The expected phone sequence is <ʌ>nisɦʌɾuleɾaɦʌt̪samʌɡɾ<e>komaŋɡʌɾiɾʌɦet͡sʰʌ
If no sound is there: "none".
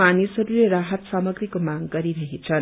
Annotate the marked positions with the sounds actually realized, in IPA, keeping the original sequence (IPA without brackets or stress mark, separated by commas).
a, i